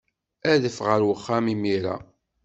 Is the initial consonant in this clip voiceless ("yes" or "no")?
no